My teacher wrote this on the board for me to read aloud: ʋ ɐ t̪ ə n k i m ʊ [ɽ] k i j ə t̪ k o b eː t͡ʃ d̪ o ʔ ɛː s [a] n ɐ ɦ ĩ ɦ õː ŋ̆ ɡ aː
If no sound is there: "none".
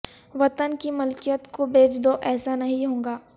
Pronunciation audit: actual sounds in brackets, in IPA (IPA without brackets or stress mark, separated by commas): l, a